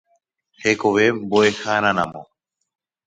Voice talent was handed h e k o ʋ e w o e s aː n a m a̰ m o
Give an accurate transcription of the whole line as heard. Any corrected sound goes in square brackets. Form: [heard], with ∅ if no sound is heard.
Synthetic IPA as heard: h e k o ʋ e [b] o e [x] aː n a [n] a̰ m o